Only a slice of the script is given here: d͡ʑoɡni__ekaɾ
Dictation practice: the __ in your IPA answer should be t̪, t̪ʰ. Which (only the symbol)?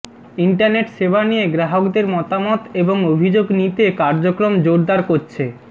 t̪